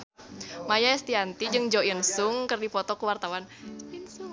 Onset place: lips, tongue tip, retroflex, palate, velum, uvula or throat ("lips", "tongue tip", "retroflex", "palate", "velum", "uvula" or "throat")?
lips